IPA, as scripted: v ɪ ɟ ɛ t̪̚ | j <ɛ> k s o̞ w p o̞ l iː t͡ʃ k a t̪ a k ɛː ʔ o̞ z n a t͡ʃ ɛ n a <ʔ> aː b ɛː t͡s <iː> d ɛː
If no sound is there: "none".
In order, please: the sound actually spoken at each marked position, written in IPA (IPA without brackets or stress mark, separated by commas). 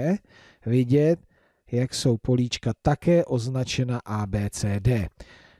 a, ʔ, ɛː